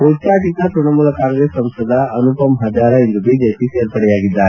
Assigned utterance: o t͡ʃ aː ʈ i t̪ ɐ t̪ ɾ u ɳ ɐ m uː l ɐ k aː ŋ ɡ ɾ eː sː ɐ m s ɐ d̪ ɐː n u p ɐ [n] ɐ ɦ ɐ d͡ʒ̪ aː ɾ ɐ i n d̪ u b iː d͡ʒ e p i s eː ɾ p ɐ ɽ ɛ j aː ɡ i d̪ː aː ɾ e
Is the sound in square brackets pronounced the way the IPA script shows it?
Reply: no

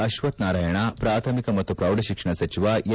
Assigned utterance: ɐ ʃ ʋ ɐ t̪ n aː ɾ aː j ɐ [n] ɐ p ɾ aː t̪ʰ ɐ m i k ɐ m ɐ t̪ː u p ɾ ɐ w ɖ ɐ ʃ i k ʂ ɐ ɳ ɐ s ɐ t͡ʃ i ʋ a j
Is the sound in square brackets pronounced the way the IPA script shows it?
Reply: no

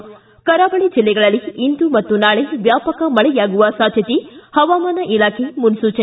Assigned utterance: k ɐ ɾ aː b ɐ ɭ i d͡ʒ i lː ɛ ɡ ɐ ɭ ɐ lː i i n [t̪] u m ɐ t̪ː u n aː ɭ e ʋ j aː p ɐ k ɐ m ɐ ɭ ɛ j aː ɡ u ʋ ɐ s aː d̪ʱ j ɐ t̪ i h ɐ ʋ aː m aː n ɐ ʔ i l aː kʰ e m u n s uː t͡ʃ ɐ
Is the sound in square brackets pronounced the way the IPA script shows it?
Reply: no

